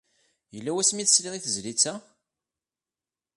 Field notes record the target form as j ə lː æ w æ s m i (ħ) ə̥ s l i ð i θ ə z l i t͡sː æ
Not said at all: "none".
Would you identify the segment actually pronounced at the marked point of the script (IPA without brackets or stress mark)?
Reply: θ